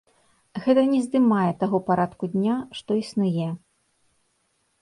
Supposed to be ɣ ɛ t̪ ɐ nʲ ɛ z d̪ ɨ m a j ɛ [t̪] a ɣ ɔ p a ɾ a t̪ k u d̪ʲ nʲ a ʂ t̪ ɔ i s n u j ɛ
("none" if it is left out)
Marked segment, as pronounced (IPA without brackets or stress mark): t̪